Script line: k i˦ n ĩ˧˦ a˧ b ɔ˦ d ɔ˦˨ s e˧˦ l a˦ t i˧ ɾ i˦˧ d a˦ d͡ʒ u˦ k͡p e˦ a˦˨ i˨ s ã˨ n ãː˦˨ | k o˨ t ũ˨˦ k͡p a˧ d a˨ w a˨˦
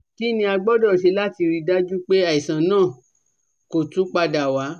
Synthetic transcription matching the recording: k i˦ n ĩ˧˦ a˧ ɡ͡b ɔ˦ d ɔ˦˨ ʃ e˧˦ l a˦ t i˧ ɾ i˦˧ d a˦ d͡ʒ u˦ k͡p e˦ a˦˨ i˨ s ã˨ n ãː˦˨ | k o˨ t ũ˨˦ k͡p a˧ d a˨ w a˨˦